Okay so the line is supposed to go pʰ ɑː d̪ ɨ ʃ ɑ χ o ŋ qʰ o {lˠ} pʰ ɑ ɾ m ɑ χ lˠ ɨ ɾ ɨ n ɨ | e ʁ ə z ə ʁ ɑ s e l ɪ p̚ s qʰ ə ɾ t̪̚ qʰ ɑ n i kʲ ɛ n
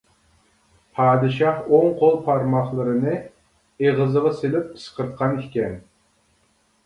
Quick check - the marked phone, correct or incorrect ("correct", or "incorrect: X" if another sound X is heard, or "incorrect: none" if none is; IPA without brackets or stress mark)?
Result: correct